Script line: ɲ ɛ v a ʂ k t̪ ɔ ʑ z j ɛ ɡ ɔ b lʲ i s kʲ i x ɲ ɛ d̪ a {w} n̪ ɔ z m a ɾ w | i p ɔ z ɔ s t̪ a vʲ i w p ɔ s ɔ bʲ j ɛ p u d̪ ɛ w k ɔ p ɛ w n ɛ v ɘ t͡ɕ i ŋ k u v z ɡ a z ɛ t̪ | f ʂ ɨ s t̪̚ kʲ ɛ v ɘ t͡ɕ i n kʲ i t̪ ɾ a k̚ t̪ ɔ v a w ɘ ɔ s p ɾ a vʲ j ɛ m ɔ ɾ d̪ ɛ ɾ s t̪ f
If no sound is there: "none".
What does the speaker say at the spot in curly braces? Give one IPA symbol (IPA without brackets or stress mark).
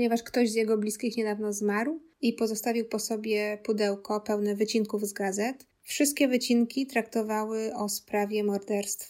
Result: v